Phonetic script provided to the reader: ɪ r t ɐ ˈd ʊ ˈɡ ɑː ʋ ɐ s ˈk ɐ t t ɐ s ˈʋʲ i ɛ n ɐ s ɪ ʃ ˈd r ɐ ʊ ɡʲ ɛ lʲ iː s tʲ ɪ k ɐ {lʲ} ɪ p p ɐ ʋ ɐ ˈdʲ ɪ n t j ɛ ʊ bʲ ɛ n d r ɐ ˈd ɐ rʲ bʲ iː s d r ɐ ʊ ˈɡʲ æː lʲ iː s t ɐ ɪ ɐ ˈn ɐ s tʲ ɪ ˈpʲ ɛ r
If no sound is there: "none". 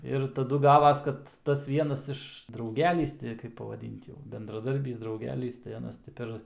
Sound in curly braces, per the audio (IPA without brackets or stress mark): none